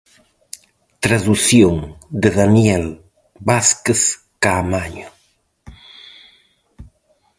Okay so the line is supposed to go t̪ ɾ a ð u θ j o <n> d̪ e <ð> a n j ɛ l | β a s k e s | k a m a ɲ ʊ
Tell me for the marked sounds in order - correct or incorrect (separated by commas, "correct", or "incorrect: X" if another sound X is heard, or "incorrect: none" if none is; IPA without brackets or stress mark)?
incorrect: ŋ, correct